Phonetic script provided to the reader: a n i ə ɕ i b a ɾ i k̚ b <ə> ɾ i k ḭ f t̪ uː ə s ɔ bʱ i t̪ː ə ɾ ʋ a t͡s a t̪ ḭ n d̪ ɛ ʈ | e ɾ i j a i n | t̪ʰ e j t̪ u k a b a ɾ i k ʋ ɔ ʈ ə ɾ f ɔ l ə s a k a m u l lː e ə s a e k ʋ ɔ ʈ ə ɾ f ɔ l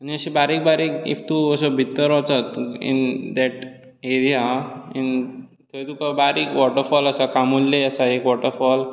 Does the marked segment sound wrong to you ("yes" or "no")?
yes